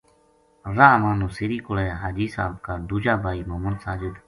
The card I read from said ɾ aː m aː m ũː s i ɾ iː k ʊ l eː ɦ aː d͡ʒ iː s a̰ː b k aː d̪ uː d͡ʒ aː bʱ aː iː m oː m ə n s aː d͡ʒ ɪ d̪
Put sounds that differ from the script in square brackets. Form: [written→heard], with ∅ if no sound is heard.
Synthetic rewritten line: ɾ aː m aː [m→n] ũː s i ɾ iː k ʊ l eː ɦ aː d͡ʒ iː s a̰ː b k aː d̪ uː d͡ʒ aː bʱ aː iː m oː m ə n s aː d͡ʒ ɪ d̪